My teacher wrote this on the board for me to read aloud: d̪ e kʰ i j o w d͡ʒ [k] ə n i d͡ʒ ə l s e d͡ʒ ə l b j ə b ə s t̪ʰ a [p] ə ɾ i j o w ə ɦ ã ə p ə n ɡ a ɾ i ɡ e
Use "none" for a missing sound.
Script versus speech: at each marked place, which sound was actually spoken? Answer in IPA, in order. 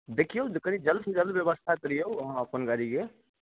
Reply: k, k

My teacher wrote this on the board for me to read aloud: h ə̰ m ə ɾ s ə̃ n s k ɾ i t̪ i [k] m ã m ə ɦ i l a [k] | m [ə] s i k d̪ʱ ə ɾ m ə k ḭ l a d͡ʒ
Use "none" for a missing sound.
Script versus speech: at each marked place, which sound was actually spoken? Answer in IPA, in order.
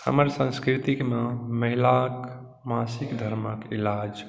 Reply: k, k, a

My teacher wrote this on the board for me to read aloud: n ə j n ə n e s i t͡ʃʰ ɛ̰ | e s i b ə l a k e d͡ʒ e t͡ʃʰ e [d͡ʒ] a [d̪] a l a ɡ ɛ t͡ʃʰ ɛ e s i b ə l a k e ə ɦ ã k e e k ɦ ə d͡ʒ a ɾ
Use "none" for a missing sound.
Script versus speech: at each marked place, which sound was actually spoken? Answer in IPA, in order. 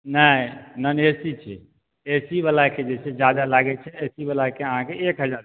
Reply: d͡ʒ, d̪

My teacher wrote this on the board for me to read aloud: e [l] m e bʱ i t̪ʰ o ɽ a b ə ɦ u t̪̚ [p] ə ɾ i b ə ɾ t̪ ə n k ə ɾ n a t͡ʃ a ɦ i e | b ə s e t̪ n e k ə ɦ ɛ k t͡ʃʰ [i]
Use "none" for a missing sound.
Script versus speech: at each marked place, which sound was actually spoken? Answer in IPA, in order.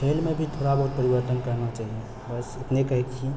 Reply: l, p, i

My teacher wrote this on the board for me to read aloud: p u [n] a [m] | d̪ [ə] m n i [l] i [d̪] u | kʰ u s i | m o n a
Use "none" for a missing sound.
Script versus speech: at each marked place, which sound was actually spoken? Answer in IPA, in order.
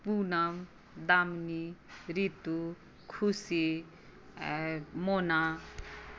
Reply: n, m, a, ɾ, t̪

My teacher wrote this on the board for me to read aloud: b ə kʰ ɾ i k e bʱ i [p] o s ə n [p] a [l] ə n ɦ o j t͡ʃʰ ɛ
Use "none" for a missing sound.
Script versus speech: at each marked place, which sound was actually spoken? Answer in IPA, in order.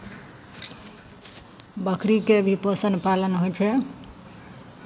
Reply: p, p, l

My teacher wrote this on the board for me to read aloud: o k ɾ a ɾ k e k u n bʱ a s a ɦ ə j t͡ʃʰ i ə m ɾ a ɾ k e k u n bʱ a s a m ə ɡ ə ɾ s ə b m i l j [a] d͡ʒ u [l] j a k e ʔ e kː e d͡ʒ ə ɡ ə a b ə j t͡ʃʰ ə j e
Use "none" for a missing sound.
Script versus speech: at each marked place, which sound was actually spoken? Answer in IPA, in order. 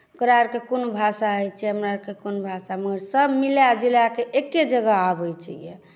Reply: a, l

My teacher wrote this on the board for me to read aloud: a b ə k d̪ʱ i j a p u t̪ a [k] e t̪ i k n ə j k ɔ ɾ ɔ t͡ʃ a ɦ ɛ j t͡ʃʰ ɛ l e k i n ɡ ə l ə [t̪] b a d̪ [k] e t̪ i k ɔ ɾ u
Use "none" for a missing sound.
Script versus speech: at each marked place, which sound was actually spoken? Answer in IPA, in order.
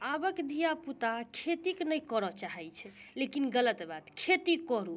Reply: kʰ, t̪, kʰ

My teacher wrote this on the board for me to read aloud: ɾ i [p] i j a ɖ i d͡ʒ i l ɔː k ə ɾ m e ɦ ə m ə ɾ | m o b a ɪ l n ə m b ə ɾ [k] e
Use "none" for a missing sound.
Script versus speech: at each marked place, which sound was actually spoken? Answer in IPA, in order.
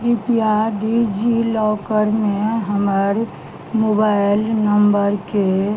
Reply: p, k

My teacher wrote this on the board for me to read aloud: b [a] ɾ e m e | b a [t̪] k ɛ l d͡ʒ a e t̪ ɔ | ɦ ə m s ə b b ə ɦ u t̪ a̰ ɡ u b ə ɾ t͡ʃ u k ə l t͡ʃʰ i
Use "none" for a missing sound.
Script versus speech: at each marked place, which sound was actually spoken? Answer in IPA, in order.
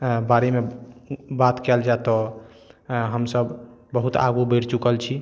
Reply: a, t̪

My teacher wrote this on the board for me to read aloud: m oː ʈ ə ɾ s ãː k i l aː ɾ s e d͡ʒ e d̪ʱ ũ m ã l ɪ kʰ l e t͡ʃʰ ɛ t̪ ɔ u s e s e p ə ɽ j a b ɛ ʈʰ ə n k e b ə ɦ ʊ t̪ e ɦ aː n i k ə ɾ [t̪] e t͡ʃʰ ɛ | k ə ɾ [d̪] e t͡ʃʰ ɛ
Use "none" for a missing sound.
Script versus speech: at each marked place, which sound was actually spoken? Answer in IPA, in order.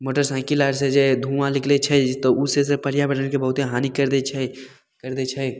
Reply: d̪, d̪

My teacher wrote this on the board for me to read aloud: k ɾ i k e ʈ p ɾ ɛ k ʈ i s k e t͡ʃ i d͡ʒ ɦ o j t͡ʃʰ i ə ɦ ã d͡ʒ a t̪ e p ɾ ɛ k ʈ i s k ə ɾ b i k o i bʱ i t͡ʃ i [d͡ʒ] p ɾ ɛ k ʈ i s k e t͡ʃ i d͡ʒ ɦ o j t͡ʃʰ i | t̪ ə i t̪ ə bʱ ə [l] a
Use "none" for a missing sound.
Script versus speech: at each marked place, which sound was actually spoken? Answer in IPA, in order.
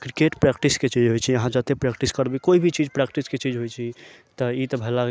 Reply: d͡ʒ, l

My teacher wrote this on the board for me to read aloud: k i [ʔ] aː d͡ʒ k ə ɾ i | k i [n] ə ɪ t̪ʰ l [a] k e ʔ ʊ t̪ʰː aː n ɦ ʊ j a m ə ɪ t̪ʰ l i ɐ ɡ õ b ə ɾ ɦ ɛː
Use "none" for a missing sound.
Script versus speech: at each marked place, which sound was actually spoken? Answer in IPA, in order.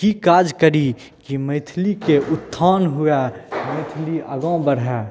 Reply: k, m, i

